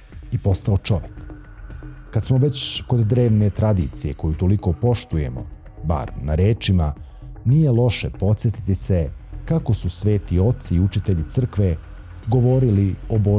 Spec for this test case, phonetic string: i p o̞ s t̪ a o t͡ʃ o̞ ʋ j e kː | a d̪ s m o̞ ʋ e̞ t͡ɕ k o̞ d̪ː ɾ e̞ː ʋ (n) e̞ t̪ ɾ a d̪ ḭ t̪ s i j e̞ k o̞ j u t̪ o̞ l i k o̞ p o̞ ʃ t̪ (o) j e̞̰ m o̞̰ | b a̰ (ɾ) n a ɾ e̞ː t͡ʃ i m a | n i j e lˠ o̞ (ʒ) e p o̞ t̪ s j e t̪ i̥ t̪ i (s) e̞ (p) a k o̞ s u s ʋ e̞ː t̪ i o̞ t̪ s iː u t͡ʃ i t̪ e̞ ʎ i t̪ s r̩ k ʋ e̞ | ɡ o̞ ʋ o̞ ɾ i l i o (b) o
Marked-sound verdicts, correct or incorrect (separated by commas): correct, incorrect, correct, incorrect, correct, incorrect, correct